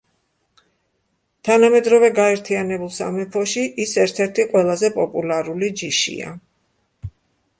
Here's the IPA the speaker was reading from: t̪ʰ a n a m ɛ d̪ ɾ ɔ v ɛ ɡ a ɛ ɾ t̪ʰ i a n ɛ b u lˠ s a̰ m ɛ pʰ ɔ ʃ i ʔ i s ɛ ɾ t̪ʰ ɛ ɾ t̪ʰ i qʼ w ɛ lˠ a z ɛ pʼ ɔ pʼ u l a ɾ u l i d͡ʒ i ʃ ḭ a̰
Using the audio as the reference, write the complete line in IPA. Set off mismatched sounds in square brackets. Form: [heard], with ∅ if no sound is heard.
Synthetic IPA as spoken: t̪ʰ a n a m ɛ d̪ ɾ ɔ v ɛ ɡ a ɛ ɾ t̪ʰ i a n ɛ b u lˠ s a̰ m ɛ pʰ ɔ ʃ i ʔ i s ɛ ɾ t̪ʰ ɛ ɾ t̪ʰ i qʼ w ɛ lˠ a z ɛ pʼ ɔ pʼ u l a ɾ u l i d͡ʒ i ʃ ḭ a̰